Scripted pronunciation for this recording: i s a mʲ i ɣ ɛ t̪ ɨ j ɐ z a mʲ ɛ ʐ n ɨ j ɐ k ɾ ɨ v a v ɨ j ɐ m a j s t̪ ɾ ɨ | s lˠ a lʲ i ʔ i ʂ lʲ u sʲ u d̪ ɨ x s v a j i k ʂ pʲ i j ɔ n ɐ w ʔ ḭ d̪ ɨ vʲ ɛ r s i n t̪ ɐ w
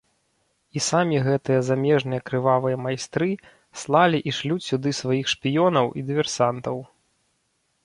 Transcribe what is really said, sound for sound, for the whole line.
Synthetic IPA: i s a mʲ i ɣ ɛ t̪ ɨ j ɐ z a mʲ ɛ ʐ n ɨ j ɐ k ɾ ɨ v a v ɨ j ɐ m a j s t̪ ɾ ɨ | s lˠ a lʲ i ʔ i ʂ lʲ u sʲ u d̪ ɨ s v a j i x ʂ pʲ i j ɔ n ɐ w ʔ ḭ d̪ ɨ vʲ ɛ r s a n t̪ ɐ w